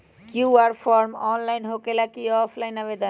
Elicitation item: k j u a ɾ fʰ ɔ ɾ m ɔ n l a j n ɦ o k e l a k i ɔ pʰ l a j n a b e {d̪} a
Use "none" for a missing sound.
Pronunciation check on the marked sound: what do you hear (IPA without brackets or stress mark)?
d̪